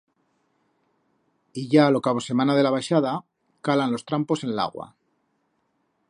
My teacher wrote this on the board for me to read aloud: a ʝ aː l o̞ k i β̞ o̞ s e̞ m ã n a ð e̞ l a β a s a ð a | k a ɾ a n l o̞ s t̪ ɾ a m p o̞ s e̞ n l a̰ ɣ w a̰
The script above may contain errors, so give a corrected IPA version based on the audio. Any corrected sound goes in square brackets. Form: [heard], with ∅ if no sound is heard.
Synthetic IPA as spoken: [i] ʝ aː l o̞ k [a] β̞ o̞ s e̞ m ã n a ð e̞ l a β a [ʃ] a ð a | k a [l] a n l o̞ s t̪ ɾ a m p o̞ s e̞ n l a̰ ɣ w a̰